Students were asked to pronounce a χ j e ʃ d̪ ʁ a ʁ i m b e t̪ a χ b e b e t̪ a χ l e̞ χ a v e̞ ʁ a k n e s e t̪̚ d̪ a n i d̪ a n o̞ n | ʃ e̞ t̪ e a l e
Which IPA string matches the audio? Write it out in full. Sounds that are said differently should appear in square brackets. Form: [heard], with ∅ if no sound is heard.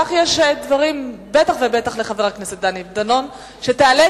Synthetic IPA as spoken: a χ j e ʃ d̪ [v] a ʁ i m b e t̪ a χ [v] e b e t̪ a χ l e̞ χ a v e̞ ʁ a k n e s e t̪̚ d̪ a n i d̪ a n o̞ n | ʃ e̞ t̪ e a l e